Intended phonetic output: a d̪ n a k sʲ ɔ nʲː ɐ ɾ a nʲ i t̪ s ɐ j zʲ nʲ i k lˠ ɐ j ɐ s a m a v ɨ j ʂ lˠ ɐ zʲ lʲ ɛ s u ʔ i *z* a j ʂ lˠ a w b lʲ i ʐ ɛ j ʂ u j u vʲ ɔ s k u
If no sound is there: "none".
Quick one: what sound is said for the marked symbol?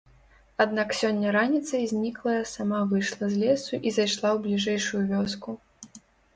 z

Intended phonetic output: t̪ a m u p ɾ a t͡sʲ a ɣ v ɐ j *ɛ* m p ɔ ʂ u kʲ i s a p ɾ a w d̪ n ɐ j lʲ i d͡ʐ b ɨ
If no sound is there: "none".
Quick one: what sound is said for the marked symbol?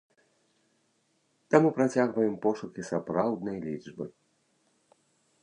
ɛ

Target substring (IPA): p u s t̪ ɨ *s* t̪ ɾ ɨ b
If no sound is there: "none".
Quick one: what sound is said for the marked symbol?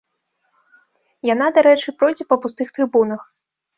x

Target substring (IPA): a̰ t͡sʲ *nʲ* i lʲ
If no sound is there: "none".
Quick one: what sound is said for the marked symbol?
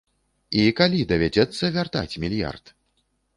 mʲ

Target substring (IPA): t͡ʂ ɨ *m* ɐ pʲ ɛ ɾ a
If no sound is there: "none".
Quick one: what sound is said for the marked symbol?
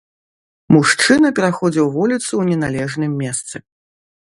n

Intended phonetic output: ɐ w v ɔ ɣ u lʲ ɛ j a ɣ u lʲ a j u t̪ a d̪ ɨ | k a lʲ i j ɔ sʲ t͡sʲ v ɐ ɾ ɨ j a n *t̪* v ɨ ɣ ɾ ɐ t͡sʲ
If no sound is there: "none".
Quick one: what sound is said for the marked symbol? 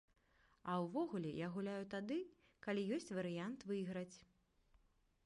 t̪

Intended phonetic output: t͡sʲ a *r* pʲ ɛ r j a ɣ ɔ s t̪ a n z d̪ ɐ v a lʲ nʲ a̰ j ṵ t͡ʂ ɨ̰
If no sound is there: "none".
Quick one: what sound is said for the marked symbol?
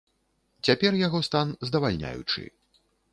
none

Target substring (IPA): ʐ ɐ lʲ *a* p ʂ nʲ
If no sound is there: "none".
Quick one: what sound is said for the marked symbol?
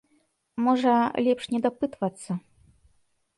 ɛ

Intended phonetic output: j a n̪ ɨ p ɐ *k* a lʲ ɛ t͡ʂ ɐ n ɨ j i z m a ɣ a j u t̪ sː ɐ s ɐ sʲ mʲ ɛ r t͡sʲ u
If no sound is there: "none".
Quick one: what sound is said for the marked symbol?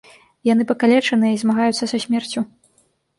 k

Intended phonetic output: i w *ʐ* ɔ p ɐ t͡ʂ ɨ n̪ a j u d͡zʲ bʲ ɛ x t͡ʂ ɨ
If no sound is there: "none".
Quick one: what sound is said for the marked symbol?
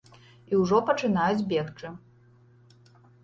ʐ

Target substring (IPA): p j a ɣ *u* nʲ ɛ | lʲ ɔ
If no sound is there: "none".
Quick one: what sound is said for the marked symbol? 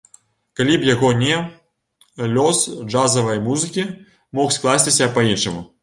ɔ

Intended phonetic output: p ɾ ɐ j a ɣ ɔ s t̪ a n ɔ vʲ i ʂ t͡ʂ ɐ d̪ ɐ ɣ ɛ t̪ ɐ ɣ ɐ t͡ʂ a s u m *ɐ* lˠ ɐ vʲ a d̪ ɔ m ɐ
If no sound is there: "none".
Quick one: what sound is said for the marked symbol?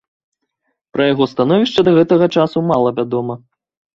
a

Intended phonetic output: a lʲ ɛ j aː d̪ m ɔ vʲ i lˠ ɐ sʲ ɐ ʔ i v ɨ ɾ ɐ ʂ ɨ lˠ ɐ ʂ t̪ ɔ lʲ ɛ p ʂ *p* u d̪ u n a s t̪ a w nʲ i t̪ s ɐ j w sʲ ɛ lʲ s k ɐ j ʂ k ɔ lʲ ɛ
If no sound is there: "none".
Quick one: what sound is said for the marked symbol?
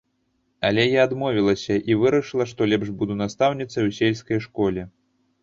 b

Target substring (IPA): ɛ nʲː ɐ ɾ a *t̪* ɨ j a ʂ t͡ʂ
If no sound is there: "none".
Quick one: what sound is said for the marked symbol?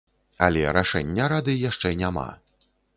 d̪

